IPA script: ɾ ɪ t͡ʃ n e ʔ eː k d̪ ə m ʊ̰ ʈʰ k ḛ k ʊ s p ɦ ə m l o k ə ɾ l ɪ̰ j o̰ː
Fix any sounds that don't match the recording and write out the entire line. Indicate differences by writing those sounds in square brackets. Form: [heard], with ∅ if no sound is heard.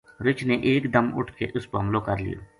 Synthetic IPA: ɾ ɪ t͡ʃ n e ʔ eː k d̪ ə m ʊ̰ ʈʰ k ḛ [ʔ] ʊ s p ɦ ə m l o k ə ɾ l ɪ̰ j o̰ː